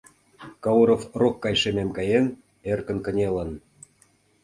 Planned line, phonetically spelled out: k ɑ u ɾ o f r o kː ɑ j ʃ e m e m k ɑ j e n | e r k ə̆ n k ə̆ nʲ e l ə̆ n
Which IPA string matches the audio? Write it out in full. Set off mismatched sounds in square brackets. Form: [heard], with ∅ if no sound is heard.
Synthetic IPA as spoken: k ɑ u ɾ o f r o kː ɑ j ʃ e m e m k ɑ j e n | e r k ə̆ n k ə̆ nʲ e l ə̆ n